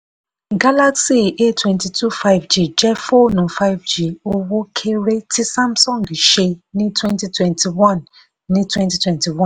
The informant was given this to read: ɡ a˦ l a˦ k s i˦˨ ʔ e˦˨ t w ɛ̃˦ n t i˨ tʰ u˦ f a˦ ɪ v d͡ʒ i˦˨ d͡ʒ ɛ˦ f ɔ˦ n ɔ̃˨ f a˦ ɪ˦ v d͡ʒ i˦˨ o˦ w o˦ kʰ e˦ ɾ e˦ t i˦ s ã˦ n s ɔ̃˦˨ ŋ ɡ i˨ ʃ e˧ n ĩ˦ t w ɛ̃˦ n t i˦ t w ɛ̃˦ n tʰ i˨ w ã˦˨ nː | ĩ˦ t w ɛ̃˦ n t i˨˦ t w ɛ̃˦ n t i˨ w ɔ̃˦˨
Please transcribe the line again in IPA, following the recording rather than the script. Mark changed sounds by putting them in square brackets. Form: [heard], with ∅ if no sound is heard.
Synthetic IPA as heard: ɡ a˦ l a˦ k s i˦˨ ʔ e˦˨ t w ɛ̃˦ n t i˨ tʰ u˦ f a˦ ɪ v d͡ʒ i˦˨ d͡ʒ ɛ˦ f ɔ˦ n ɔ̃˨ f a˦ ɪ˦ v d͡ʒ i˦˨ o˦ w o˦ kʰ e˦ ɾ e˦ t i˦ s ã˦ [m] s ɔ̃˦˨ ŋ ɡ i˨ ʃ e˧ n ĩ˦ t w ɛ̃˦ n t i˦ t w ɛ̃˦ n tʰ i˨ w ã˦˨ nː | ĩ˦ t w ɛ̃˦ n t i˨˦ t w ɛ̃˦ n t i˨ w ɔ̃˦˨

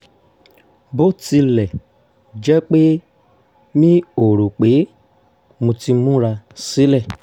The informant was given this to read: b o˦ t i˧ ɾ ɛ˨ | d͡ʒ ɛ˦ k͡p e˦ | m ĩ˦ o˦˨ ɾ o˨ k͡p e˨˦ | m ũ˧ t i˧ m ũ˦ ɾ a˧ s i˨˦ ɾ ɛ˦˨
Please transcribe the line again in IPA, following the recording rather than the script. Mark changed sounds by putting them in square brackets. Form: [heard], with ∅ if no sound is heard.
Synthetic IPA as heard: b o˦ t i˧ [l] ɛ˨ | d͡ʒ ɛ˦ k͡p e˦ | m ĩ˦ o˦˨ ɾ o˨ k͡p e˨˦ | m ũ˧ t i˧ m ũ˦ ɾ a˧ s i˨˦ [l] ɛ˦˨

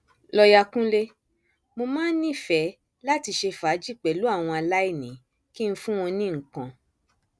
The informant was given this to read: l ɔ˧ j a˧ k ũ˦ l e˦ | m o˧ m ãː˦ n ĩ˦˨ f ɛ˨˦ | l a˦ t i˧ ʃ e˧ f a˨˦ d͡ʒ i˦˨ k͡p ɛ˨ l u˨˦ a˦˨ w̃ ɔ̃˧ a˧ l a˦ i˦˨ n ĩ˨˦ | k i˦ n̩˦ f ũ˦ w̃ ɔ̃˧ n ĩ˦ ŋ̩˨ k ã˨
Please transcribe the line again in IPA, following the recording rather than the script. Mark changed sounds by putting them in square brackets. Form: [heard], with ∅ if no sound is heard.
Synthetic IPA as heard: l ɔ˧ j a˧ k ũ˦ l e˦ | m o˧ m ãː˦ n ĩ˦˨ f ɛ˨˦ | l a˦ t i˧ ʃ e˧ f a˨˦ d͡ʒ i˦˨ k͡p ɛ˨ l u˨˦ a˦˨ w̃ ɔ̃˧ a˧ l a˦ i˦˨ n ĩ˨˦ | k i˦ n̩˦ f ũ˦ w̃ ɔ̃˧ n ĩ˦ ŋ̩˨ k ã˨

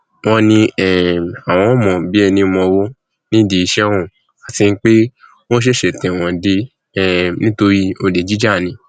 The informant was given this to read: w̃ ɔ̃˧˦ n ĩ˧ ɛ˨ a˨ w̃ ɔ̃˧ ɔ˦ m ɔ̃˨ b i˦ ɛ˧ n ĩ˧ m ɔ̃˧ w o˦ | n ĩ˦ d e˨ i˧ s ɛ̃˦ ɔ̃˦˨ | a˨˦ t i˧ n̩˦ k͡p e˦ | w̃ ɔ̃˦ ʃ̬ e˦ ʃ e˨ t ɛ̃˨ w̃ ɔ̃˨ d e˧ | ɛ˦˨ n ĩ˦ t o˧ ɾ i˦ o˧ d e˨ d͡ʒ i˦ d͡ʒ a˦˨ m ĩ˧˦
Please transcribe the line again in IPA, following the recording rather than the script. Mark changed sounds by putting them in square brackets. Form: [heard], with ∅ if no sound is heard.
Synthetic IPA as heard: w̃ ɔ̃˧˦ n ĩ˧ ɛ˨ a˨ w̃ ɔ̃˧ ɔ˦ m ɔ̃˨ b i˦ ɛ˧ n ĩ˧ m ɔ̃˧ w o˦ | n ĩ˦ d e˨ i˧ [ʃ] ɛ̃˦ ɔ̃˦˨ | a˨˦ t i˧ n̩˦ k͡p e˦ | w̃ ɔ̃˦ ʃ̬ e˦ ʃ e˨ t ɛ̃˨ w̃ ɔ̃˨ d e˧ | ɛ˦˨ n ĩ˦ t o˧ ɾ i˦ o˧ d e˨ d͡ʒ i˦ d͡ʒ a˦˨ [n] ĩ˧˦

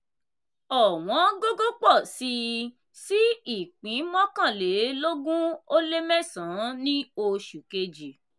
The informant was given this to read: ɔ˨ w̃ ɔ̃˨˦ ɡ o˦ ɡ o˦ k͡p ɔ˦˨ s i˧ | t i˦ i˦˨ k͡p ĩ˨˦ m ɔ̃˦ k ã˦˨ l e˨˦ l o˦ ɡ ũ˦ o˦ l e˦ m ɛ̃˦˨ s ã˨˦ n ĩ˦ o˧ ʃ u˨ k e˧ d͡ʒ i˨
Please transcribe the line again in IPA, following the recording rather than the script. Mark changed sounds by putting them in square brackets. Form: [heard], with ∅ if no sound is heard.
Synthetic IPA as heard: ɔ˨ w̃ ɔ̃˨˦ ɡ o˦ ɡ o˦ k͡p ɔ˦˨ s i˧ | [s] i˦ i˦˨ k͡p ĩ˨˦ m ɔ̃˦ k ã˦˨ l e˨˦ l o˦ ɡ ũ˦ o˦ l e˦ m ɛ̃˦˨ s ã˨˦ n ĩ˦ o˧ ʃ u˨ k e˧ d͡ʒ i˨

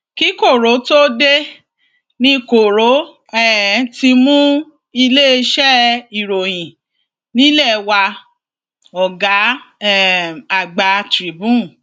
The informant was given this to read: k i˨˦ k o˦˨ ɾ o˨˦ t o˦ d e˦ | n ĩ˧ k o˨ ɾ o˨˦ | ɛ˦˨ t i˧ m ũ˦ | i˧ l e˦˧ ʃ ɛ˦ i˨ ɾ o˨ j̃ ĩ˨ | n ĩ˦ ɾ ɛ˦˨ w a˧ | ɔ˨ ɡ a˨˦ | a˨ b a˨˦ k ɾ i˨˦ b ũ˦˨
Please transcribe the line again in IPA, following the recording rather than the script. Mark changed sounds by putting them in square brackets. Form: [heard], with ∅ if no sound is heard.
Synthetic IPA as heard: k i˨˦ k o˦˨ ɾ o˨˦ t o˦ d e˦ | n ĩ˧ k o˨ ɾ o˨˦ | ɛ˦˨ t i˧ m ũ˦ | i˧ l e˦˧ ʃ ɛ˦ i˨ ɾ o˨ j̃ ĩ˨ | n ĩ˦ [l] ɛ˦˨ w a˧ | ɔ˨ ɡ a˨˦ | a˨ [ɡ͡b] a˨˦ [t] ɾ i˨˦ b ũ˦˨

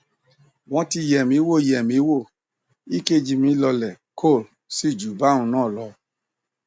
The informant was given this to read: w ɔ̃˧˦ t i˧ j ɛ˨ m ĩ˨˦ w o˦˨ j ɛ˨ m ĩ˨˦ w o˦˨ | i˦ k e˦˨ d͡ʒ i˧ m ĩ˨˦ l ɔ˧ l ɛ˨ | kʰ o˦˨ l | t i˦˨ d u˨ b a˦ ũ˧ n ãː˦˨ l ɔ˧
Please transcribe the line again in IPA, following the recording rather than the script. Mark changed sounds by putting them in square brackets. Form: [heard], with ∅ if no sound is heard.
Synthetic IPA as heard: w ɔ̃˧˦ t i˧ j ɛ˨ m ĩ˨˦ w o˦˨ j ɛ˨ m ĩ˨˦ w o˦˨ | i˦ k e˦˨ d͡ʒ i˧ m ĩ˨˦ l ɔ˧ l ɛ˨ | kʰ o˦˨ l | [s] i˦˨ [d͡ʒ] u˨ b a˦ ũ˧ n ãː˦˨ l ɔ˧

